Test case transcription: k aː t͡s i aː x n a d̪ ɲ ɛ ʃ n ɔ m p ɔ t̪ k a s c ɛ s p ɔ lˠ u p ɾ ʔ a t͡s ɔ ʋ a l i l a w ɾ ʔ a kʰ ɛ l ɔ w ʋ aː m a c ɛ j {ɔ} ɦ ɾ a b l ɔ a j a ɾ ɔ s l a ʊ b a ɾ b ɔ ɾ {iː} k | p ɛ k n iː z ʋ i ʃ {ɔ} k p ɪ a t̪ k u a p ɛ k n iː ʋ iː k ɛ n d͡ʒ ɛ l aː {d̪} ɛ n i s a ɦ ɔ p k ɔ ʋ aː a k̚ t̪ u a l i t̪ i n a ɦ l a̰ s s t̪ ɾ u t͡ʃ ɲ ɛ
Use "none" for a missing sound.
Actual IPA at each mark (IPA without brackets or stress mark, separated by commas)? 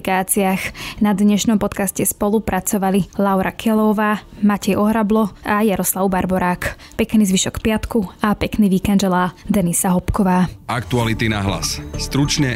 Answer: ɔ, aː, ɔ, d̪